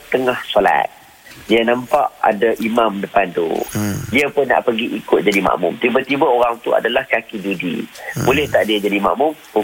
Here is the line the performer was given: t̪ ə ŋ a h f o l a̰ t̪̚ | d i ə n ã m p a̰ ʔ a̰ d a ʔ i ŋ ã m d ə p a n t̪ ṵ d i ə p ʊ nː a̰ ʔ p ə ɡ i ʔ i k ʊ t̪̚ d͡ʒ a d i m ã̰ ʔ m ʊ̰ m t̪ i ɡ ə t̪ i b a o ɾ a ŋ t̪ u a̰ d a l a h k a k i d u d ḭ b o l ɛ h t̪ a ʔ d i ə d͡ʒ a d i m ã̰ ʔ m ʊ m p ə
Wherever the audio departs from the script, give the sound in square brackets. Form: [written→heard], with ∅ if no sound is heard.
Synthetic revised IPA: t̪ ə ŋ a h [f→s] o l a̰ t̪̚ | d i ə n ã m p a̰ ʔ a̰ d a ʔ i [ŋ→m] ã m d ə p a n t̪ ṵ d i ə p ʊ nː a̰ ʔ p ə ɡ i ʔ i k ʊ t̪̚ d͡ʒ a d i m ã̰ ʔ m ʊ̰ m t̪ i [ɡ→b] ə t̪ i b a o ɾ a ŋ t̪ u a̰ d a l a h k a k i d u d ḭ b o l ɛ h t̪ a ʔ d i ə d͡ʒ a d i m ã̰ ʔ m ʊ m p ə